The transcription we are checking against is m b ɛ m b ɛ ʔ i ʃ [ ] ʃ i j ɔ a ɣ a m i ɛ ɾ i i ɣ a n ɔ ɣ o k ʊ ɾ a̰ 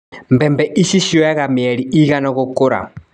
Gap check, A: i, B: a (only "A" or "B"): A